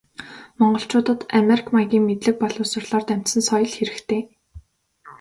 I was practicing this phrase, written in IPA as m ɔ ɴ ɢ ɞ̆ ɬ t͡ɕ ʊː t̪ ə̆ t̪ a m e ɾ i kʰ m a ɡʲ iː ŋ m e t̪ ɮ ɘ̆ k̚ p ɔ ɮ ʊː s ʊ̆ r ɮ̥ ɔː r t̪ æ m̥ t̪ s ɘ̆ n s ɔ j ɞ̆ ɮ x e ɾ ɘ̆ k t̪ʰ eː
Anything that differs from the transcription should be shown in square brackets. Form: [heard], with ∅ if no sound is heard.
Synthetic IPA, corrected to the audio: m ɔ ɴ ɢ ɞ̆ ɬ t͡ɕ ʊː t̪ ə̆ t̪ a m e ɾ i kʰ m a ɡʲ iː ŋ m e t̪ ɮ ɘ̆ k̚ p ɔ ɮ ʊː s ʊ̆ r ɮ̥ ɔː r t̪ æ m̥ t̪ s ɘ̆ n s ɔ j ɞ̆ ɮ x e ɾ ɘ̆ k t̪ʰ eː